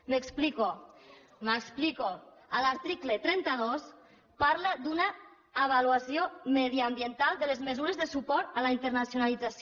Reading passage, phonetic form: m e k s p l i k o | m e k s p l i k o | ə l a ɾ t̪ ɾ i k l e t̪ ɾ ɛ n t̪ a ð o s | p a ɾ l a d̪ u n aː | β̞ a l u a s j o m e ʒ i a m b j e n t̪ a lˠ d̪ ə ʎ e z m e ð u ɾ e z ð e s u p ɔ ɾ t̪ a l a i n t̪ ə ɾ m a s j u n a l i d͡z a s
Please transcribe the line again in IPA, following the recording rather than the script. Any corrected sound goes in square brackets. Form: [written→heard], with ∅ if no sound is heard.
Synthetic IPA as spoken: m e k s p l i k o | m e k s p l i k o | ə l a ɾ t̪ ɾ i k l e t̪ ɾ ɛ n t̪ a ð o s | p a ɾ l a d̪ u n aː | β̞ a l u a s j o m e [ʒ→ð] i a m b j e n t̪ a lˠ d̪ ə [ʎ→l] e z m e [ð→z] u ɾ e z ð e s u p ɔ ɾ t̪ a l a i n t̪ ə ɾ [m→n] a s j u n a l i d͡z a s